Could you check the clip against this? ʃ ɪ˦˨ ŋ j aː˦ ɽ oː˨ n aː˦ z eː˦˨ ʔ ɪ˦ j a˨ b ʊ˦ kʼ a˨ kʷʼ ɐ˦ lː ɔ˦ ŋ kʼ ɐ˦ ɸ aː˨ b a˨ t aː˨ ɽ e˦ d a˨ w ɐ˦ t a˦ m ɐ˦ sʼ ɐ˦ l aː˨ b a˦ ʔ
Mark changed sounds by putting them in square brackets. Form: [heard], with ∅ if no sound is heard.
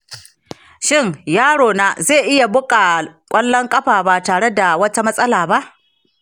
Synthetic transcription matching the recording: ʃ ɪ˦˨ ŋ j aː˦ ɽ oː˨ n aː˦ z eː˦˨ ʔ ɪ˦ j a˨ b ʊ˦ kʼ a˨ kʷʼ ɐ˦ lː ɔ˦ ŋ kʼ ɐ˦ ɸ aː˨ b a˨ t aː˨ ɽ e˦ d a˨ w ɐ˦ t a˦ m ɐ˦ sʼ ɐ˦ l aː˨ b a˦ ʔ